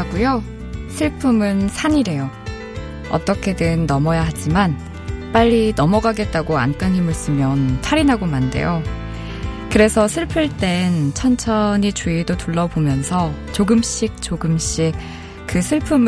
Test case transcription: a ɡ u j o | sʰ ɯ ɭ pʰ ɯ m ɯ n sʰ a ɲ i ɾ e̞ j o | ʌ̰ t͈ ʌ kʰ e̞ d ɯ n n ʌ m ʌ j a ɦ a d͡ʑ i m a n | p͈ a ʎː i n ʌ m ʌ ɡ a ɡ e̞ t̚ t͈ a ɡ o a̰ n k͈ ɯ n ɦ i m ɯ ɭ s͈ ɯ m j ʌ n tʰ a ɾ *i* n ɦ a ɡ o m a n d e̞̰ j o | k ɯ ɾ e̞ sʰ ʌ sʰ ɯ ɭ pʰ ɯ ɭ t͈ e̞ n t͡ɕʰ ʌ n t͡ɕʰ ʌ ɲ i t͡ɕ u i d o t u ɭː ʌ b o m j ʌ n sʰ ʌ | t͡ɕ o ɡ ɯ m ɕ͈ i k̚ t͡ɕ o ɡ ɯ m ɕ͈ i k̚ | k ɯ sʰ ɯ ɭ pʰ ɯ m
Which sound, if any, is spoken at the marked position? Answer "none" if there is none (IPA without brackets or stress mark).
i